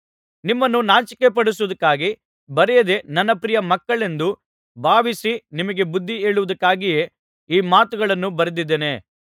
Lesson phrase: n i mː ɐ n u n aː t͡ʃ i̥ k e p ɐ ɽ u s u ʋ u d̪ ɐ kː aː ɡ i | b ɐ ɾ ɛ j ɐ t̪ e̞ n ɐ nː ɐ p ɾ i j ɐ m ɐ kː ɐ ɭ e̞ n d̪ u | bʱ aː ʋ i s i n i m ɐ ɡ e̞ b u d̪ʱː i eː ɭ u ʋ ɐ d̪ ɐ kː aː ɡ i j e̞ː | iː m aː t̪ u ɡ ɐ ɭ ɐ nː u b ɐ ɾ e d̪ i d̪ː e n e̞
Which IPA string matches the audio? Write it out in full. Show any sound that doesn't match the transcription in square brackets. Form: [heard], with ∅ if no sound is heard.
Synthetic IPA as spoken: n i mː ɐ [nː] u n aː t͡ʃ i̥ k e p ɐ ɽ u s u ʋ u d̪ ɐ kː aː ɡ i | b ɐ ɾ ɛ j ɐ [d̪] e̞ n ɐ nː ɐ p ɾ i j ɐ m ɐ kː ɐ ɭ e̞ n d̪ u | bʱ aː ʋ i s i n i m ɐ ɡ e̞ b u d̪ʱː i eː ɭ u ʋ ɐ d̪ ɐ kː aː ɡ i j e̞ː | iː m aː t̪ u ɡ ɐ ɭ ɐ nː u b ɐ ɾ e d̪ i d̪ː e n e̞